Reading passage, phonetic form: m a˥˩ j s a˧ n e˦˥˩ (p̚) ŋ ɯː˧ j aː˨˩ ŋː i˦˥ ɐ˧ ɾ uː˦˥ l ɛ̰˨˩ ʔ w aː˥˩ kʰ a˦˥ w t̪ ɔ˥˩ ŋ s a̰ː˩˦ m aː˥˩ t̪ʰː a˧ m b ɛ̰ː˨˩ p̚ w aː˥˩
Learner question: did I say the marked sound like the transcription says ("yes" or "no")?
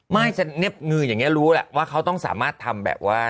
yes